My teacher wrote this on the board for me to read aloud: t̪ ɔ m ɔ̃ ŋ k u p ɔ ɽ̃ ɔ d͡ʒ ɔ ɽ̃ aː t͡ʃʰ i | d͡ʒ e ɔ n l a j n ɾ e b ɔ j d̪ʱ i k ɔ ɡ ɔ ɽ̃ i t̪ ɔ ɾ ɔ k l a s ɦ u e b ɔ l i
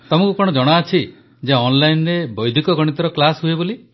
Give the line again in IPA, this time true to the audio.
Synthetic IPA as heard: t̪ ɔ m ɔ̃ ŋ k u k ɔ ɽ̃ ɔ d͡ʒ ɔ ɽ̃ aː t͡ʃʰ i | d͡ʒ e ɔ n l a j n ɾ e b ɔ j d̪ʱ i k ɔ ɡ ɔ ɽ̃ i t̪ ɔ ɾ ɔ k l a s ɦ u e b o l i

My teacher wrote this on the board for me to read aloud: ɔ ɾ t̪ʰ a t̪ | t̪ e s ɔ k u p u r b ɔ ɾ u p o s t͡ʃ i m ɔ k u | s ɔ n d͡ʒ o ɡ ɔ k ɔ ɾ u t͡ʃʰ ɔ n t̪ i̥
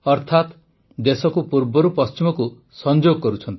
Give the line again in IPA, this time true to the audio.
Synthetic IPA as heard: ɔ ɾ t̪ʰ a t̪ | d̪ e s ɔ k u p u ɾ b ɔ ɾ u p ɔ s t͡ʃ i m ɔ k u | s ɔ n d͡ʒ o ɡ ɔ k ɔ ɾ u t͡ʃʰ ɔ n t̪ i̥

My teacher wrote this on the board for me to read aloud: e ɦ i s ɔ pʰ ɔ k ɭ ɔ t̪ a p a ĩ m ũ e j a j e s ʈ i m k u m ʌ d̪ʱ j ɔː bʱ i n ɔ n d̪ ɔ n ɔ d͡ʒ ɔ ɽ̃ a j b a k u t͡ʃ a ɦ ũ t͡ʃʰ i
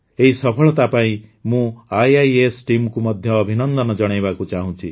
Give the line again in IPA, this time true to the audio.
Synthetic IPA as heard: e ɦ i s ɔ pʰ ɔ ɭ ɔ t̪ a p a ĩ m ũ a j a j e s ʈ i m k u m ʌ d̪ʱ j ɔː bʱ i n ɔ n d̪ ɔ n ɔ d͡ʒ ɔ ɽ̃ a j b a k u t͡ʃ a ɦ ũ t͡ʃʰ i

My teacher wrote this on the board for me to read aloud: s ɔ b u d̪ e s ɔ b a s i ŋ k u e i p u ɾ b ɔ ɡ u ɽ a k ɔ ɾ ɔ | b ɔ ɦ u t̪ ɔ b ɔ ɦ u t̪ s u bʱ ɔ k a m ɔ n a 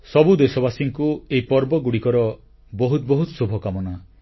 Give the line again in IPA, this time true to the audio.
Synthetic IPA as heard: s ɔ b u d̪ e s ɔ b a s i ŋ k u e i p ɔ ɾ b ɔ ɡ u ɽ i k ɔ ɾ ɔ | b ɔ ɦ u t̪ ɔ b ɔ ɦ u t̪ s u bʱ ɔ k a m ɔ n a

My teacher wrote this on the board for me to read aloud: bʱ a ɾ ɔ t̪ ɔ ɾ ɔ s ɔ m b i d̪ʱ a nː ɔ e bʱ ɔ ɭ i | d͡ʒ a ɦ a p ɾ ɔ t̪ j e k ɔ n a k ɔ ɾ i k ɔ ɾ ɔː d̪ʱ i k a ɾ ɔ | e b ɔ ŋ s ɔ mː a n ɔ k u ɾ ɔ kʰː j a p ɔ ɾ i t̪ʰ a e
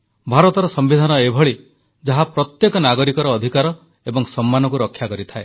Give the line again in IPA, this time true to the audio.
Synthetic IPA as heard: bʱ a ɾ ɔ t̪ ɔ ɾ ɔ s ɔ m b i d̪ʱ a n ɔ e bʱ ɔ ɭ i | d͡ʒ a ɦ a p ɾ ɔ t̪ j e k ɔ n a ɡ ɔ ɾ i k ɔ ɾ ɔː d̪ʱ i k a ɾ ɔ | e b ɔ ŋ s ɔ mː a n ɔ k u ɾ ɔ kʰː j a k ɔ ɾ i t̪ʰ a e

